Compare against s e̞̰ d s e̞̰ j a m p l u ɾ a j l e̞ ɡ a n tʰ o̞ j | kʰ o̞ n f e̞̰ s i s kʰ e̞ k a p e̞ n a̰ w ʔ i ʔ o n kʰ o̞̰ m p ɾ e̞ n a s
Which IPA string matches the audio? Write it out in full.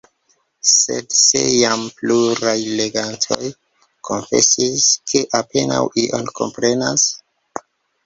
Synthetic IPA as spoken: s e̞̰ d s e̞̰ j a m p l u ɾ a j l e̞ ɡ a n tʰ o̞ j | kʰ o̞ n f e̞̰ s i s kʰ e̞ ʔ a p e̞ n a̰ w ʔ i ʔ o n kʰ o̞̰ m p ɾ e̞ n a s